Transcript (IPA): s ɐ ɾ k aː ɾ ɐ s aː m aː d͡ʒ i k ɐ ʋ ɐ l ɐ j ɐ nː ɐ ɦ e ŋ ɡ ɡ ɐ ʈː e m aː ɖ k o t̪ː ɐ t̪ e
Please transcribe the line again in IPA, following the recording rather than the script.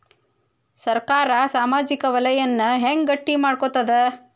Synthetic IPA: s ɐ ɾ k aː ɾ ɐ s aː m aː d͡ʒ i k ɐ ʋ ɐ l ɐ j ɐ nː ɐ ɦ e ŋ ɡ ɡ ɐ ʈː i m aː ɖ k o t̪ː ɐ d̪ e